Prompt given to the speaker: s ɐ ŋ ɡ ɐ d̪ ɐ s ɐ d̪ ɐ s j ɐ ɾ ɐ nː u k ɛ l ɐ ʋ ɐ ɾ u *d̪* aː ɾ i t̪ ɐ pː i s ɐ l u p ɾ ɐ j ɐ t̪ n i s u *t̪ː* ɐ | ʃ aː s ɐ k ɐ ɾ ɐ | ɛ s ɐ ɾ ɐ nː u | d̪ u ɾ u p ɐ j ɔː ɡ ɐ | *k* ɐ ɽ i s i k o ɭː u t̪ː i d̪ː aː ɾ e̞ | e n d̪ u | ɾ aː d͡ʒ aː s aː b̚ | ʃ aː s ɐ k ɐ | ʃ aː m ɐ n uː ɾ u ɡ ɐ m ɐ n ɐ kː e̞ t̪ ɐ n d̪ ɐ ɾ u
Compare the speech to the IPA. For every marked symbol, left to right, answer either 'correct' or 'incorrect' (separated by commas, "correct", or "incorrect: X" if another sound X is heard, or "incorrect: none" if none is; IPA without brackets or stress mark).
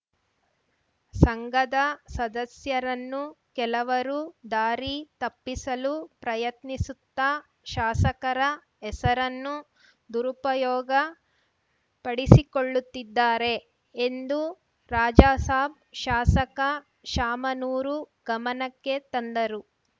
correct, correct, incorrect: p